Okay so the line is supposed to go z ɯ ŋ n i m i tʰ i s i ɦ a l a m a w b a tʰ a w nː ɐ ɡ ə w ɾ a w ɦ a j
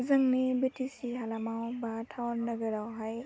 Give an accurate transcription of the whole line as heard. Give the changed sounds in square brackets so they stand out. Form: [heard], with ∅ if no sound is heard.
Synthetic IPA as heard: z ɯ ŋ n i [b] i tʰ i s i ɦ a l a m a w b a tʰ a w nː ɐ ɡ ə [∅] ɾ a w ɦ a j